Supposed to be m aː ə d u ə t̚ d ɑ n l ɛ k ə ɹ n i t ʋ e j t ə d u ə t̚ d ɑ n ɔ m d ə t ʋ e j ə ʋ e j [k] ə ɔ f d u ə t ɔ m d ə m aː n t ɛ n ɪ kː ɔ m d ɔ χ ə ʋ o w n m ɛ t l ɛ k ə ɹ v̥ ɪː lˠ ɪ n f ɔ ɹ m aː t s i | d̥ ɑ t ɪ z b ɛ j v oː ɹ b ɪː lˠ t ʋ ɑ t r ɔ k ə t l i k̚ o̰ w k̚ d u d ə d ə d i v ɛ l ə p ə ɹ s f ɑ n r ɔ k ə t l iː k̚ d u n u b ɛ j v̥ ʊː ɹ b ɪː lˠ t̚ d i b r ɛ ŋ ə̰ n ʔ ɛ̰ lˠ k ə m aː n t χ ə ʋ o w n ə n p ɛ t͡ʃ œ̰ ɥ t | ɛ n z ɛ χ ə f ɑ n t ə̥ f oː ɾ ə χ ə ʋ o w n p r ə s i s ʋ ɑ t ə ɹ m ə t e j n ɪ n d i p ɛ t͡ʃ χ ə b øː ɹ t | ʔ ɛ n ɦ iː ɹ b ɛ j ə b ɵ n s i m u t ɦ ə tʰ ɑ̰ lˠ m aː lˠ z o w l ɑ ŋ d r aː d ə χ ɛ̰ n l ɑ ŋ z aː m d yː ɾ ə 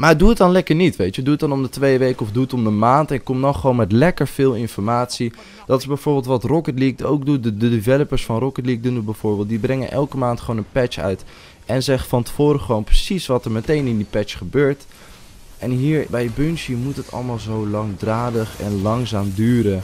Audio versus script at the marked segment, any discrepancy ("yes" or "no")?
no